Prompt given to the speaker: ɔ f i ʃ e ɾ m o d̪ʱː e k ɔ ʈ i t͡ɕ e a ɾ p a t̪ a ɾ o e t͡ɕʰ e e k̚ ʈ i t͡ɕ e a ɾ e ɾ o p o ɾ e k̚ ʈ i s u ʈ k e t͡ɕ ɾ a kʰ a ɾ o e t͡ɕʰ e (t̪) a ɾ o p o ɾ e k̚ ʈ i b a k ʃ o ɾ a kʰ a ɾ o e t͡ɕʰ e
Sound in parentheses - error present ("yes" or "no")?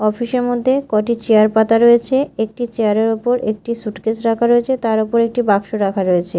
no